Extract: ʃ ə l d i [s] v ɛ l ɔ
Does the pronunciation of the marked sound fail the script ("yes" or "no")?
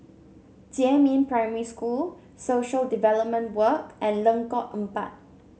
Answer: yes